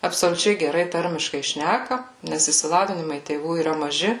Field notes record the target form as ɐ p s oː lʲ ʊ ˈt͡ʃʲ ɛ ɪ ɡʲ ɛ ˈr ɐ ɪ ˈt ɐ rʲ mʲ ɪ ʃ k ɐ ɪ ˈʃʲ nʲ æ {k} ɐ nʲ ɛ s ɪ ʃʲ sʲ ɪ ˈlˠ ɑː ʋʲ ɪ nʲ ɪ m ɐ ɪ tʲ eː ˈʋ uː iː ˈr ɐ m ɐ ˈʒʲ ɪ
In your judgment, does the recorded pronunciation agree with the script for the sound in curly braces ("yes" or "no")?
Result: yes